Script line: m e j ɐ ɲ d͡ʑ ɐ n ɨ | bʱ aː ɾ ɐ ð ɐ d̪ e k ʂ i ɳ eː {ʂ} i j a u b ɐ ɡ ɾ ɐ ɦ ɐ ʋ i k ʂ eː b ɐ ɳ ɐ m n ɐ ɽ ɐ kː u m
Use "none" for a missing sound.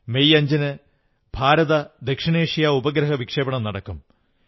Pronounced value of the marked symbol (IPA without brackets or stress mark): ʂ